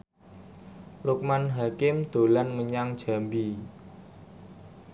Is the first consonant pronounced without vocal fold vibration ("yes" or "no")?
no